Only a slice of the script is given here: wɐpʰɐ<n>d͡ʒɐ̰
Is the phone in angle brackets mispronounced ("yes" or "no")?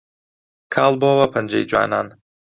no